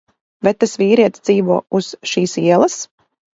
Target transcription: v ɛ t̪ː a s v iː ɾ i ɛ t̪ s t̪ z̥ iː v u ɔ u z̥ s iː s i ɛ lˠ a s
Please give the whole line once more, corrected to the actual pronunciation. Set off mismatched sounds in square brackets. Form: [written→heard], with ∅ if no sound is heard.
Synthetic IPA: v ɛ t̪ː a s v iː ɾ i ɛ t̪ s [t̪→d̪] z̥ iː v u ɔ u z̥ [s→ʃ] iː s i ɛ lˠ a s

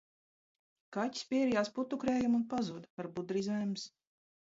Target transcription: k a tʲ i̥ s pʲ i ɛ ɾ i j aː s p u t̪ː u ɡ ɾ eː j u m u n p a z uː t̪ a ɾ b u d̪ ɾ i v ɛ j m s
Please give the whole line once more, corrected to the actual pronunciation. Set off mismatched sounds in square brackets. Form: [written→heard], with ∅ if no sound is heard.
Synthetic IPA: k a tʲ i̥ s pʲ i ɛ ɾ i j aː s p u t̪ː u [ɡ→k] ɾ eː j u m u n p a z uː [t̪→d̪] a ɾ b u d̪ ɾ i [v→z] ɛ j m s

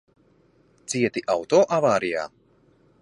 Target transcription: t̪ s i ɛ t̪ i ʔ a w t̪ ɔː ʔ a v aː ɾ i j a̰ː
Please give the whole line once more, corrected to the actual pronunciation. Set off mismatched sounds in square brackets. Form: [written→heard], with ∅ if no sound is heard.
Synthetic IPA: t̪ s i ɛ t̪ i ʔ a w t̪ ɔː ʔ a v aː ɾ i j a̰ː

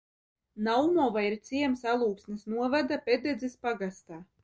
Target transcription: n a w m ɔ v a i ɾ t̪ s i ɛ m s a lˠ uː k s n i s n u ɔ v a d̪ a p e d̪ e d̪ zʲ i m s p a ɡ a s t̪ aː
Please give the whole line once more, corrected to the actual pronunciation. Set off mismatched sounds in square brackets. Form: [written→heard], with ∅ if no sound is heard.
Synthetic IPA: n a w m ɔ v a i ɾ t̪ s i ɛ m s a lˠ uː k s n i s n u ɔ v a d̪ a p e d̪ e d̪ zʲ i [m→∅] s p a ɡ a s t̪ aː

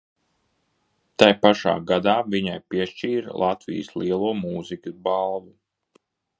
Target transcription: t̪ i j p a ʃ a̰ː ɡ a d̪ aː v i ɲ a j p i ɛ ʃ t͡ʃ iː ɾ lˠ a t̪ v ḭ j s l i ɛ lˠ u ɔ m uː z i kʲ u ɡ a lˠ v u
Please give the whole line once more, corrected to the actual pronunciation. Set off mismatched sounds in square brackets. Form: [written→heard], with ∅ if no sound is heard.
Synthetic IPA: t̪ [i→a] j p a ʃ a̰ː ɡ a d̪ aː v i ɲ a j p i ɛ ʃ t͡ʃ iː ɾ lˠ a t̪ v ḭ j s l i ɛ lˠ u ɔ m uː z i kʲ u [ɡ→b] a lˠ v u

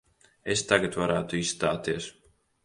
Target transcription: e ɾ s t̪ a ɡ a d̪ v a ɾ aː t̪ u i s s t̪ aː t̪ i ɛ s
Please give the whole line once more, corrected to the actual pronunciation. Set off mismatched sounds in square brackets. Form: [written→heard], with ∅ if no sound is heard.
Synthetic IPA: e [ɾ→∅] s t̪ a ɡ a [d̪→t̪] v a ɾ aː t̪ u i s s t̪ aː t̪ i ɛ s

